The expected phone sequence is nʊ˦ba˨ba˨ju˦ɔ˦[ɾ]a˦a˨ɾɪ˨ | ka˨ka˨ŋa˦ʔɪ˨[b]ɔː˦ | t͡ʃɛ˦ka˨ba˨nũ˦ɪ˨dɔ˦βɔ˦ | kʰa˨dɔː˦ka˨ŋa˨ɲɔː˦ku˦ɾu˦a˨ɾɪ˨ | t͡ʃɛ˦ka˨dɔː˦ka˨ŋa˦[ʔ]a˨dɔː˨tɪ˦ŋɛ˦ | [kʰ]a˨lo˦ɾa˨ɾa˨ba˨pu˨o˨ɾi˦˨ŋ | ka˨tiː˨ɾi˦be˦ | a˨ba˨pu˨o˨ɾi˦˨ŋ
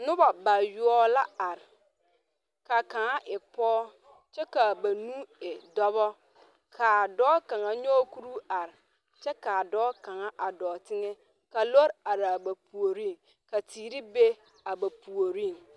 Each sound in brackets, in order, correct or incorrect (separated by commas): incorrect, incorrect, correct, incorrect